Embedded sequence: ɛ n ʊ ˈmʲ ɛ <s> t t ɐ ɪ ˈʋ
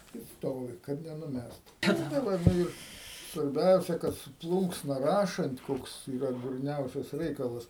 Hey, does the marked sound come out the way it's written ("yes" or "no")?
yes